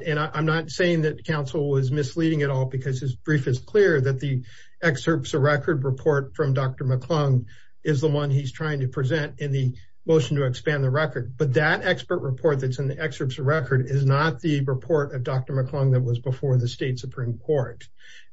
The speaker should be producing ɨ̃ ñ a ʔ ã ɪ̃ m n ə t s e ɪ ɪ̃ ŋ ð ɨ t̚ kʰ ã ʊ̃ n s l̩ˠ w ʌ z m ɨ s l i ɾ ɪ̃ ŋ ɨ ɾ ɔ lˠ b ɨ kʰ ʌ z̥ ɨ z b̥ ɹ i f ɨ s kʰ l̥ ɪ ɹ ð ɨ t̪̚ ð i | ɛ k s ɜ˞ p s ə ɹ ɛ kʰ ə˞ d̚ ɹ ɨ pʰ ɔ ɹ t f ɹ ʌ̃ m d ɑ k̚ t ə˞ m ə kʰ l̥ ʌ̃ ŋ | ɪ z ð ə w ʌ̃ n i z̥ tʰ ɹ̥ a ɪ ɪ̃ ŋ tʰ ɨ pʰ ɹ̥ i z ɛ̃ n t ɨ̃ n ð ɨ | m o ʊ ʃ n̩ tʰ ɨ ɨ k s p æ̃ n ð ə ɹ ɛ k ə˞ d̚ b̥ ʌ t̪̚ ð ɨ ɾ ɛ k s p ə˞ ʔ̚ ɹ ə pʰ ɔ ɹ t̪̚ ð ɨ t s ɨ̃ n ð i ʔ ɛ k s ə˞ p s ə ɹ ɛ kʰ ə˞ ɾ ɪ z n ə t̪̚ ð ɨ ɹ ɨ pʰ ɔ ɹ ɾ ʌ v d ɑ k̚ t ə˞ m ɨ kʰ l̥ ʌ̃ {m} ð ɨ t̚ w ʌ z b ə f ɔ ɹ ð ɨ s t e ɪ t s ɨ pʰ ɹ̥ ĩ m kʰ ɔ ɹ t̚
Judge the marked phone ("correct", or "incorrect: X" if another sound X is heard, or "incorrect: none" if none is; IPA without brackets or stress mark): incorrect: ŋ